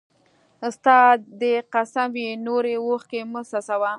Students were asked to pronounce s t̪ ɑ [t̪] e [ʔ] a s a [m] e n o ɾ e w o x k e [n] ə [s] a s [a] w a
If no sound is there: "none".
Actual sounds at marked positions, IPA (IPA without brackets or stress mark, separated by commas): d̪, q, m, m, s, a